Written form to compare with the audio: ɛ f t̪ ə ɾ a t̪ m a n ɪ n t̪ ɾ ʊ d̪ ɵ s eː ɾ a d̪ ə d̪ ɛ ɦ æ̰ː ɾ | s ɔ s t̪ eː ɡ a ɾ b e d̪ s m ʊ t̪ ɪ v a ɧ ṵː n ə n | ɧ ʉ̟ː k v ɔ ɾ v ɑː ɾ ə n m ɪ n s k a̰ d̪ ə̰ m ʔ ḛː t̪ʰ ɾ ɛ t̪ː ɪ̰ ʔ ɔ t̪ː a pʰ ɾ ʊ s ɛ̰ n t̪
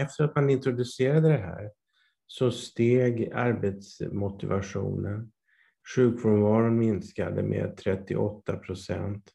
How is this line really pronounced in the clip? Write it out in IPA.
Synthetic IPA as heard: ɛ f t̪ ə ɾ a t̪ m a n ɪ n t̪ ɾ ʊ d̪ ɵ s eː ɾ a d̪ ə d̪ ɛ ɦ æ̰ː ɾ | s ɔ s t̪ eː ɡ a ɾ b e t̪ s m ʊ t̪ ɪ v a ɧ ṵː n ə n | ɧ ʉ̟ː k v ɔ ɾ v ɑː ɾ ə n m ɪ n s k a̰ d̪ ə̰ m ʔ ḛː t̪ʰ ɾ ɛ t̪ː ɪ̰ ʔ ɔ t̪ː a pʰ ɾ ʊ s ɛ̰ n t̪